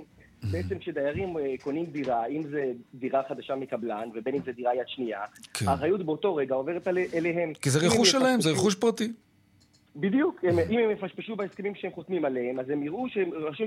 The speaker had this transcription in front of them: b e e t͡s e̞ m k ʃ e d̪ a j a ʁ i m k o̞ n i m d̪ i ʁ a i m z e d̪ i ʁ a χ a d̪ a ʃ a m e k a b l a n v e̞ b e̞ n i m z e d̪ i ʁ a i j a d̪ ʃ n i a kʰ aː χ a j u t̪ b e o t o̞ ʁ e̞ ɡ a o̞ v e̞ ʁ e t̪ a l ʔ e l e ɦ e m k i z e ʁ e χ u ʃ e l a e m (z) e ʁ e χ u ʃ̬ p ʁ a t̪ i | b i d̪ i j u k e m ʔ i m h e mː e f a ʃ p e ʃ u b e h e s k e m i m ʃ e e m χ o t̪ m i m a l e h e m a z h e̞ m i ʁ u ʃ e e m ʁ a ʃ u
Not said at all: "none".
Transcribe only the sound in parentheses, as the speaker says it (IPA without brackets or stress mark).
z